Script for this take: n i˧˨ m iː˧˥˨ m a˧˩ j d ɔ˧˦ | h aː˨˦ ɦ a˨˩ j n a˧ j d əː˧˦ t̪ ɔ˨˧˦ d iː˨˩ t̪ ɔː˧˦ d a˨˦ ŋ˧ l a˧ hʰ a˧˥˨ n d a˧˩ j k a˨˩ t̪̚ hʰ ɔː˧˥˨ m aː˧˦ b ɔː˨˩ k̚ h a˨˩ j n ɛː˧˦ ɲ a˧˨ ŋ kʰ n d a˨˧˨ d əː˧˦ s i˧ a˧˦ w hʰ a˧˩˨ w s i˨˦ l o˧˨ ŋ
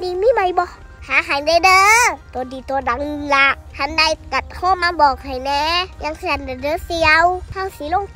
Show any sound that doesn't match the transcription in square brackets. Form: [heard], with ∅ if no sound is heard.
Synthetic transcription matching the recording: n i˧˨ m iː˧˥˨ m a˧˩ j [b] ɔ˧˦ | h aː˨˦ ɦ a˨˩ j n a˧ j d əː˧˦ t̪ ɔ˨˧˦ d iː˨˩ t̪ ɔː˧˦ d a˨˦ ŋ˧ l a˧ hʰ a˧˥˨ n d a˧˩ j k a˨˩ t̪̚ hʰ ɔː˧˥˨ m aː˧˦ b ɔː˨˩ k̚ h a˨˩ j n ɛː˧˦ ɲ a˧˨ ŋ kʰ n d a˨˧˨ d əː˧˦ s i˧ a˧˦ w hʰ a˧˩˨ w s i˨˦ l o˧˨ ŋ

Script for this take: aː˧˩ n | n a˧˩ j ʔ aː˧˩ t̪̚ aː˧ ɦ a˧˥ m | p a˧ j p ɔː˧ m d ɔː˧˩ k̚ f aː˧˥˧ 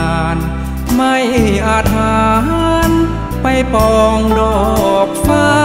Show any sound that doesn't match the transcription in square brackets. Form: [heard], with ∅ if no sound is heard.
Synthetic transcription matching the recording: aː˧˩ n | [m] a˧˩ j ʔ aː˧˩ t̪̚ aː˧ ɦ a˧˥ [n] | p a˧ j p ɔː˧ [ŋ] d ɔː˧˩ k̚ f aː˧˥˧

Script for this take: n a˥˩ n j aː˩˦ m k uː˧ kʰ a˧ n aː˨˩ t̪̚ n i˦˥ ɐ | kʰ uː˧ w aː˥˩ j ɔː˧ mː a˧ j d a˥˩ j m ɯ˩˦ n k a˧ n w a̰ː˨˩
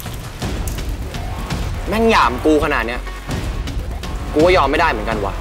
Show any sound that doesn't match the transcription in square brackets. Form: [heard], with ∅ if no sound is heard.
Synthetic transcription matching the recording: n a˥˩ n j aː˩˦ m k uː˧ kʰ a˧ n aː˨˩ t̪̚ n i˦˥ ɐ | [k] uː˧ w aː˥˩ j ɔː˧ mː [a˥˩] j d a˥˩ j m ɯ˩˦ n k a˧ n w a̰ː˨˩

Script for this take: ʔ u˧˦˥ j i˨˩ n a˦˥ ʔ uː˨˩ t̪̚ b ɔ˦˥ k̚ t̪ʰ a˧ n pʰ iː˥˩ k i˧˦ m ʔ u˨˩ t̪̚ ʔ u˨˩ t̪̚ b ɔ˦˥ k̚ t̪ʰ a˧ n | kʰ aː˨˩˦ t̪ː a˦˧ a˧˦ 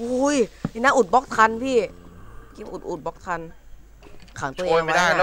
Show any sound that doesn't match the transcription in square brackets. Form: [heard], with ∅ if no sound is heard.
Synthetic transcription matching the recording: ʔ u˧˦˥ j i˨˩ n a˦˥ ʔ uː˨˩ t̪̚ b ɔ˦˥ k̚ t̪ʰ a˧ n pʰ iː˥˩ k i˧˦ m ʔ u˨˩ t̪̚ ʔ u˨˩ t̪̚ b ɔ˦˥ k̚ t̪ʰ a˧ n | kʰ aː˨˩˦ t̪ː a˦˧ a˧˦

